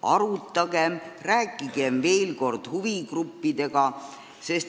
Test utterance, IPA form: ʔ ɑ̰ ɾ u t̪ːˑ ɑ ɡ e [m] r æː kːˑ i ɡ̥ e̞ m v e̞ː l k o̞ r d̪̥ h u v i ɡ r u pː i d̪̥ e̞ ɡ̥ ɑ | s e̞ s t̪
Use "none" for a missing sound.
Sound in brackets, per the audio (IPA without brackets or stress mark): m